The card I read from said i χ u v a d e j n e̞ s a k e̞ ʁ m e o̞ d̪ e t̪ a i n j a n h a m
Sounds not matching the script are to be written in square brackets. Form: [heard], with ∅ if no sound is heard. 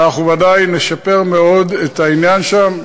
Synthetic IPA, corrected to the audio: [a] χ u v a d [a] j n e̞ [ʃ] a [p] e̞ ʁ m e o̞ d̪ e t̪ a i n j a n [ʃ] a m